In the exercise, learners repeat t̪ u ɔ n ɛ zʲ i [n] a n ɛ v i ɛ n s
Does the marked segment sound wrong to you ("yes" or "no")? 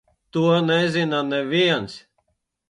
no